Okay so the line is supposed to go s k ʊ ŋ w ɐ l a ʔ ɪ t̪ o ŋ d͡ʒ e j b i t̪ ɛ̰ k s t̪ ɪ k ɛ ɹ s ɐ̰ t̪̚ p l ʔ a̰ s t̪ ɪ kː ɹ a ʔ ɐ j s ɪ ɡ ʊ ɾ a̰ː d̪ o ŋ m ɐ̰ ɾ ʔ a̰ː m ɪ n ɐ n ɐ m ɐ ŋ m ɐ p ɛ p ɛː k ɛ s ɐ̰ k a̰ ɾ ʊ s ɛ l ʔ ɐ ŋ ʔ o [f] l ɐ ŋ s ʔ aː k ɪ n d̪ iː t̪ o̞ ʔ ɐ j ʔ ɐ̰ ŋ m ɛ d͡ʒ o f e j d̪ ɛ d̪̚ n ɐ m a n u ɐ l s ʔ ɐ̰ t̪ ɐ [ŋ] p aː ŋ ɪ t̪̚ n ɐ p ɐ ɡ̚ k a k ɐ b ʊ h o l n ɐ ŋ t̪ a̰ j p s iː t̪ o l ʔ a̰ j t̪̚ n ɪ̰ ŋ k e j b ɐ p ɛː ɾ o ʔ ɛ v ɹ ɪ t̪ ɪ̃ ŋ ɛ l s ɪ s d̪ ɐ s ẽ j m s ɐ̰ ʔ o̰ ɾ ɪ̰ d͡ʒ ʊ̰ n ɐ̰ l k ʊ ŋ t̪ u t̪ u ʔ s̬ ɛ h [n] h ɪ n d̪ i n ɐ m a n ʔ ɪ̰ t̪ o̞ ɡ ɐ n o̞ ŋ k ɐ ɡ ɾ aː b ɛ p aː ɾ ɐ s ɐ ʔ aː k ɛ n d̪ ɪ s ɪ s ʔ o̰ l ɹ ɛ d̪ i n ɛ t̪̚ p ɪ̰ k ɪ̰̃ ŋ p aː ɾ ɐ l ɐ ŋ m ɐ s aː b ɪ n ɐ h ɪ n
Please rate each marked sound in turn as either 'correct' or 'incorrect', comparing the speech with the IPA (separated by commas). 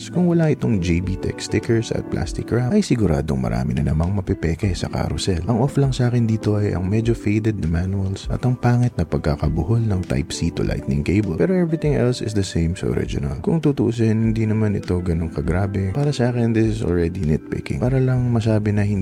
correct, correct, correct